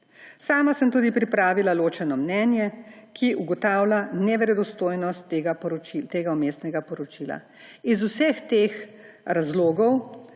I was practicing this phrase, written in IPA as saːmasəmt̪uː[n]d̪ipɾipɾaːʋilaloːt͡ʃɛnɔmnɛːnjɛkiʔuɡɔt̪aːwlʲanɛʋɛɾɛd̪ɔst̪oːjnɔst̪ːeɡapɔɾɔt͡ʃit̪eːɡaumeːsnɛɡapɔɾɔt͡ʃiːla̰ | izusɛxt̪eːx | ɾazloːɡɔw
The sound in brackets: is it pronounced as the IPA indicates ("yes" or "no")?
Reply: no